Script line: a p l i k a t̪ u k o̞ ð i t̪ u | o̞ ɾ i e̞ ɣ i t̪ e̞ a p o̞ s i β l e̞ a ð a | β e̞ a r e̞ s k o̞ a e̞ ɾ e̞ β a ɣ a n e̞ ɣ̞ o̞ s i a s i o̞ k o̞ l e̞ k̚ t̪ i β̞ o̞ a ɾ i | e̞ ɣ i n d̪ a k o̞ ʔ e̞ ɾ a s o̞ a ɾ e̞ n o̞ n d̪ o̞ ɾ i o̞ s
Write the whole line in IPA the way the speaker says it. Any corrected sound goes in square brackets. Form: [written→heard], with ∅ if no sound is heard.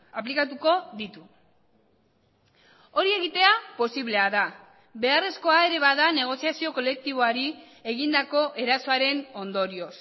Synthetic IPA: a p l i k a t̪ u k o̞ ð i t̪ u | o̞ ɾ i e̞ ɣ i t̪ e̞ a p o̞ s i β l e̞ a ð a | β e̞ a r e̞ s k o̞ a e̞ ɾ e̞ β a [ɣ→ð] a n e̞ ɣ̞ o̞ s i a s i o̞ k o̞ l e̞ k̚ t̪ i β̞ o̞ a ɾ i | e̞ ɣ i n d̪ a k o̞ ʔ e̞ ɾ a s o̞ a ɾ e̞ n o̞ n d̪ o̞ ɾ i o̞ s